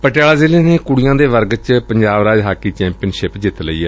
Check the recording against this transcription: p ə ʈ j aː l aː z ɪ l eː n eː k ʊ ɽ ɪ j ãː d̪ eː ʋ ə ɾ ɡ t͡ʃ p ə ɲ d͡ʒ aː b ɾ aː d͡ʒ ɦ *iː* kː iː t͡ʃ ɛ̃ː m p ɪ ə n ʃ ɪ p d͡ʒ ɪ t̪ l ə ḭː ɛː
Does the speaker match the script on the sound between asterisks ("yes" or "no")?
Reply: no